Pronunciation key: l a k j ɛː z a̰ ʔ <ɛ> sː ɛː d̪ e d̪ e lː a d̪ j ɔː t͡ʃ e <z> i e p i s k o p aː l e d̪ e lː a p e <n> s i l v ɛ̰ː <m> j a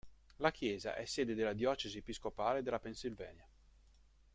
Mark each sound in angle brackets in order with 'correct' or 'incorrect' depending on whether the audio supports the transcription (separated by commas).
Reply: correct, correct, correct, incorrect